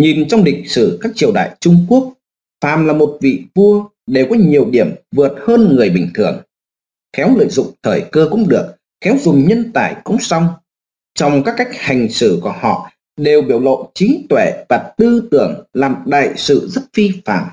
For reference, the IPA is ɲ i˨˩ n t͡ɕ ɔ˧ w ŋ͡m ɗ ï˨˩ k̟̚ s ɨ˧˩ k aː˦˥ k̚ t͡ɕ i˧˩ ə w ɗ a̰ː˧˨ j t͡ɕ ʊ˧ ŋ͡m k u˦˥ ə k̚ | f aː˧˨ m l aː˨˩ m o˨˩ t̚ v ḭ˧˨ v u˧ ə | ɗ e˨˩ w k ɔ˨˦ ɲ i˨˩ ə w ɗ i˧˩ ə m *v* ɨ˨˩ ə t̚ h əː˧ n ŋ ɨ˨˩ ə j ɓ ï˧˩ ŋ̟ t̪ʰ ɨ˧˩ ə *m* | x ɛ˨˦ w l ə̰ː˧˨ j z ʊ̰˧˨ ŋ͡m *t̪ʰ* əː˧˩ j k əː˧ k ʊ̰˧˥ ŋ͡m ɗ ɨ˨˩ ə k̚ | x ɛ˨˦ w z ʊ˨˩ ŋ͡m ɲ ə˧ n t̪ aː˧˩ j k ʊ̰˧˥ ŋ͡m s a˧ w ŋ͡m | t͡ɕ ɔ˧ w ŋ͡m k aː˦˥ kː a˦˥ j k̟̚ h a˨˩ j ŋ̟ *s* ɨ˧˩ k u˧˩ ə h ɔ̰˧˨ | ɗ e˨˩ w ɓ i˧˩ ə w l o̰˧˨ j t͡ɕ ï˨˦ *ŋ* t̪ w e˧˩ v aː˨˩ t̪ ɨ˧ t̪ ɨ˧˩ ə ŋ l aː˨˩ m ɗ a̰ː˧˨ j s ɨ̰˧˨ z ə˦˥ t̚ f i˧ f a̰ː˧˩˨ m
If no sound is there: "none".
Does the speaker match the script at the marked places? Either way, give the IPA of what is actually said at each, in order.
v, ŋ, t̪ʰ, s, ŋ

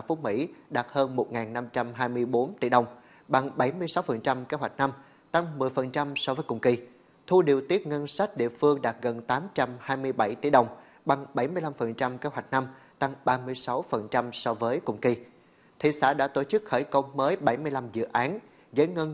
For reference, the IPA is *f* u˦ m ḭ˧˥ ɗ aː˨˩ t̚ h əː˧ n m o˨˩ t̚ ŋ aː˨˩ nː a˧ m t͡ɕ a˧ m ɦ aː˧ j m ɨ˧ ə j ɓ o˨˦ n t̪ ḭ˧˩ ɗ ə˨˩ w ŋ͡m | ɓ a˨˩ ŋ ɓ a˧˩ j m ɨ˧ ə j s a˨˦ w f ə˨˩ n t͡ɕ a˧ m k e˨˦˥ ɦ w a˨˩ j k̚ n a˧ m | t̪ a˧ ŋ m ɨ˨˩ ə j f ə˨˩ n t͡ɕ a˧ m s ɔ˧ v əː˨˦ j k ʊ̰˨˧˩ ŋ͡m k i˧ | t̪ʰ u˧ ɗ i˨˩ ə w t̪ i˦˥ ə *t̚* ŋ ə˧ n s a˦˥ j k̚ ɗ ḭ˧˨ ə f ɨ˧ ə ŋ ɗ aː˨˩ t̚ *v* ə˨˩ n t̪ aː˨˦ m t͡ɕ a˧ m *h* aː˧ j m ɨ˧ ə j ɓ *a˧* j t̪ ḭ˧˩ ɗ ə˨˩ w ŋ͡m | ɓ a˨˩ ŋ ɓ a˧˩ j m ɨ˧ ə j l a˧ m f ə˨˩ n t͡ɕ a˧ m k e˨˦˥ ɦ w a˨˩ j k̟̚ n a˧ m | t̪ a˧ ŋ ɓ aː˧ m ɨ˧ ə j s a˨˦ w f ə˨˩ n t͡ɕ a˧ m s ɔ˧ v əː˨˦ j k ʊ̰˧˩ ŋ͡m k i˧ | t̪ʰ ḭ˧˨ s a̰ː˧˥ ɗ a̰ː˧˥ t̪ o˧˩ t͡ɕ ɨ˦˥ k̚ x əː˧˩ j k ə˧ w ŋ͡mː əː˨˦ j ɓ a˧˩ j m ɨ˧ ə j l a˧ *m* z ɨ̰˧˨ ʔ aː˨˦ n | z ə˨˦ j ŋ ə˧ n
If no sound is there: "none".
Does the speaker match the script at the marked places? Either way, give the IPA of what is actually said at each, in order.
f, t̚, ɣ, h, a˧˩, m

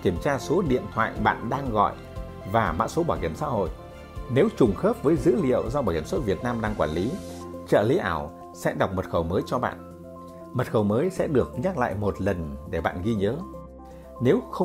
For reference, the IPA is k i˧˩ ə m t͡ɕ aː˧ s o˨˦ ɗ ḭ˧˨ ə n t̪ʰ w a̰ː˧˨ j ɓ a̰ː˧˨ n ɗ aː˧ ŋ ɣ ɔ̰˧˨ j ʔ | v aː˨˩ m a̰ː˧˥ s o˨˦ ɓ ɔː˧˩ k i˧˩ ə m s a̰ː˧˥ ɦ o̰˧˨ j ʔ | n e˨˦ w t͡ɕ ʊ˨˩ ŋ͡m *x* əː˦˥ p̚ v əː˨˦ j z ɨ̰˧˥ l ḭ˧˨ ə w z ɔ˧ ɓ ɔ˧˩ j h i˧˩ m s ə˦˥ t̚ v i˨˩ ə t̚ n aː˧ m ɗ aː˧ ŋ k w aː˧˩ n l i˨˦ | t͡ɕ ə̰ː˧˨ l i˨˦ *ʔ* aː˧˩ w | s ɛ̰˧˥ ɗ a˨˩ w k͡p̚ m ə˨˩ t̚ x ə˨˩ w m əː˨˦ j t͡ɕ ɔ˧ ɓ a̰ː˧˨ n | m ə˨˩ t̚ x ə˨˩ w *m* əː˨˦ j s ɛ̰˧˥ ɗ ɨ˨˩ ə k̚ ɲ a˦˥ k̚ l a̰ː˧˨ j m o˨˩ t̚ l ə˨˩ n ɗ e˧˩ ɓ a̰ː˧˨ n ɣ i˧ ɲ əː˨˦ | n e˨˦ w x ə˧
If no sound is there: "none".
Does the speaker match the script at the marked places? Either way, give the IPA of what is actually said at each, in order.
x, ʔ, m

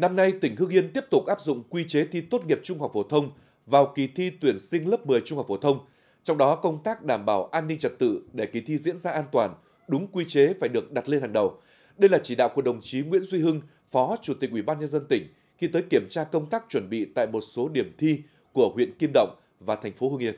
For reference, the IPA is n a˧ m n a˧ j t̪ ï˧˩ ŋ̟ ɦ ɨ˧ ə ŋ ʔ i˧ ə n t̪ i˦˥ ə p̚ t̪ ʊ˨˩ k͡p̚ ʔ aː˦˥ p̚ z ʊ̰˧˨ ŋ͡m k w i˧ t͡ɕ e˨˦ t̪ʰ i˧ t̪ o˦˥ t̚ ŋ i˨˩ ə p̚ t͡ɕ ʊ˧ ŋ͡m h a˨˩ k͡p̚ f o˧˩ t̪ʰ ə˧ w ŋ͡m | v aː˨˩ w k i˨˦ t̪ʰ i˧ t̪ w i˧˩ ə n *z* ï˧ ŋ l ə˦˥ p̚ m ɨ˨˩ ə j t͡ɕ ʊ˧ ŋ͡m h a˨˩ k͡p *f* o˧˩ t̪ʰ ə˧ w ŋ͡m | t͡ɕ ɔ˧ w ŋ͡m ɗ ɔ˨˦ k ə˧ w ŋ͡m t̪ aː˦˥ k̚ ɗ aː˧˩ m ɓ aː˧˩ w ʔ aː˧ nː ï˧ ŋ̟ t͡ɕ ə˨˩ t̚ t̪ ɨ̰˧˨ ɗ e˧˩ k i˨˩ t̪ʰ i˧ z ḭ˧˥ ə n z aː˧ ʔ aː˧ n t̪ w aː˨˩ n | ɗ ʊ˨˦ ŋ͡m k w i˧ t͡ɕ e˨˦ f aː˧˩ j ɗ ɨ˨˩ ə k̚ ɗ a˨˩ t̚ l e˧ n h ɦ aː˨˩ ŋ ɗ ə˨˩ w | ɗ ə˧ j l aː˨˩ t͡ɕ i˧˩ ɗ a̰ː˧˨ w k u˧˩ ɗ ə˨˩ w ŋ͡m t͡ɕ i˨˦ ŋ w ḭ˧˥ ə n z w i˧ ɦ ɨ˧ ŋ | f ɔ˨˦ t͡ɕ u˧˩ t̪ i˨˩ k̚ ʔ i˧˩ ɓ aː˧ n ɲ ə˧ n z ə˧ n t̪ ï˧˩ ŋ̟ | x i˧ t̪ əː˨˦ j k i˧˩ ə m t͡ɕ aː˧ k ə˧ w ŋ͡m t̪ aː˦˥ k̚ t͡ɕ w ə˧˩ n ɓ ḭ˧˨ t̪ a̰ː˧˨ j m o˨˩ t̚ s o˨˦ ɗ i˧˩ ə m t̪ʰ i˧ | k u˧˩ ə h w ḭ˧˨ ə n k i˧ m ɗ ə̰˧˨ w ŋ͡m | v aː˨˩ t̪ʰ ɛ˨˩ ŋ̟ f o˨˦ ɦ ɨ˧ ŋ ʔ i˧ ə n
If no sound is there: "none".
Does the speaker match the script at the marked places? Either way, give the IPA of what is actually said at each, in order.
s, f

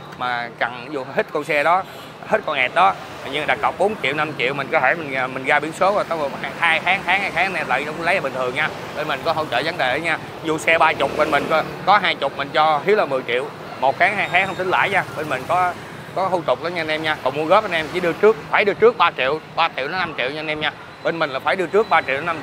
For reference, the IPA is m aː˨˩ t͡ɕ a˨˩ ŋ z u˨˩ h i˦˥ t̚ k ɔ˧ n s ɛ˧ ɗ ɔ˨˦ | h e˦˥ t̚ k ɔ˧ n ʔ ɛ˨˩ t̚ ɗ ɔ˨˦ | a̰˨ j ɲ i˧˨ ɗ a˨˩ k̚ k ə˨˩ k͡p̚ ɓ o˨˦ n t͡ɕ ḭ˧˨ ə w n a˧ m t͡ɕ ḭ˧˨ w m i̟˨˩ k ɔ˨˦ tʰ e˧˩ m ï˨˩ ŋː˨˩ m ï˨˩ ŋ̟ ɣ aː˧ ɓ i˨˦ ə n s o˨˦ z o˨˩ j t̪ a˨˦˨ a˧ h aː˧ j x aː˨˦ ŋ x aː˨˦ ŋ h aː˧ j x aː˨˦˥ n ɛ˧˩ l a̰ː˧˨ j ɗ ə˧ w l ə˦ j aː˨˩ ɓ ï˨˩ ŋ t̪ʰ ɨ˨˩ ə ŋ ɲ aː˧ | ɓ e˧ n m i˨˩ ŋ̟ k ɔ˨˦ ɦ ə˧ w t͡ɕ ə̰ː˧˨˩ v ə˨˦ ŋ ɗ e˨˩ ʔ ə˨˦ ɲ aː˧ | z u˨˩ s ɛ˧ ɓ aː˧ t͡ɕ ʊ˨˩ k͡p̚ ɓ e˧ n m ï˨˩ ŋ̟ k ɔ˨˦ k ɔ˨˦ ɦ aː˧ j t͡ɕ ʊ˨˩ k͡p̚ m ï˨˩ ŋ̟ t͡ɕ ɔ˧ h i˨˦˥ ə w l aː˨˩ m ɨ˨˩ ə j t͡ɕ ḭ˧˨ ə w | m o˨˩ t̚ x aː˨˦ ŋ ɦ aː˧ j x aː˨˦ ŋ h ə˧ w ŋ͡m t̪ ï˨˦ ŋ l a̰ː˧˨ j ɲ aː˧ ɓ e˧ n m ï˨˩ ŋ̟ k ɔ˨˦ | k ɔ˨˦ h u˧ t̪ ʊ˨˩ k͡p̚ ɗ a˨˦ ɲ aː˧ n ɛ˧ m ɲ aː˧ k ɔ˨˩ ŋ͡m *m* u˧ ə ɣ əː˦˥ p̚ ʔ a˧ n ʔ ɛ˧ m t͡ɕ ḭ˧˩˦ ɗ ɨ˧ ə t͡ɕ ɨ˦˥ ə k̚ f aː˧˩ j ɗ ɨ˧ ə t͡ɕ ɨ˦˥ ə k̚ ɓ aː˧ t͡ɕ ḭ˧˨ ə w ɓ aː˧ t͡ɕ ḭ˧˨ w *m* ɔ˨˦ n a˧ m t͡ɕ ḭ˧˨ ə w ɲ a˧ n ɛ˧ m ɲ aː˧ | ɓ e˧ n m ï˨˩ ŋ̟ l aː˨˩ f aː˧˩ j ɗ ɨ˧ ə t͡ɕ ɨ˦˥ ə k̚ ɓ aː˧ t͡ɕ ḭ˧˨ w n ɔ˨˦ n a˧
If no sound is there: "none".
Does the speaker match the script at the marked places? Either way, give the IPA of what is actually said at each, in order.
m, n

